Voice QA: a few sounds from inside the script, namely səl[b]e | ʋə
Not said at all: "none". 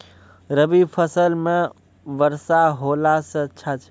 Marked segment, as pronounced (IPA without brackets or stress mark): m